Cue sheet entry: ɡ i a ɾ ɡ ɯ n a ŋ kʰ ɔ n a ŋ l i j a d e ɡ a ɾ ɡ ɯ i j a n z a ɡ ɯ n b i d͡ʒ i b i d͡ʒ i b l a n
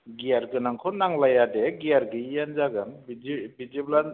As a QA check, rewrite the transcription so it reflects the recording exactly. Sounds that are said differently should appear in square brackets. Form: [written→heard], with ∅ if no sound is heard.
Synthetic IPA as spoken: ɡ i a ɾ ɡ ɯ n a ŋ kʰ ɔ n a ŋ l [i→a] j a d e ɡ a ɾ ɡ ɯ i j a n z a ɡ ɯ n b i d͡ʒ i b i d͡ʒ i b l a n